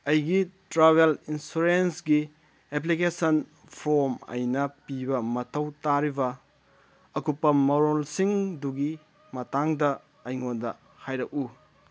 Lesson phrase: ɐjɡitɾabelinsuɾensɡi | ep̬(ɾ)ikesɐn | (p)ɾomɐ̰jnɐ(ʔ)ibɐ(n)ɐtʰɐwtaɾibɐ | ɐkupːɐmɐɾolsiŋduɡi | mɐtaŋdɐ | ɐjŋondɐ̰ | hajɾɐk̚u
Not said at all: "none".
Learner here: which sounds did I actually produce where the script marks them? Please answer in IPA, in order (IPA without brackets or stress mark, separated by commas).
l, pʰ, p, m